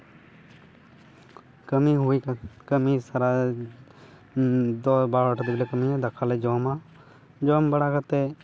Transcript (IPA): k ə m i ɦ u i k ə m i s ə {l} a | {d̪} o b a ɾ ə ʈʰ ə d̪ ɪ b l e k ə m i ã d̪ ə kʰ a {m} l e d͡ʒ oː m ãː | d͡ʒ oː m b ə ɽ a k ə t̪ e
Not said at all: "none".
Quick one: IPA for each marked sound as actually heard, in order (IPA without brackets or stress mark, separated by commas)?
ɾ, d̪, none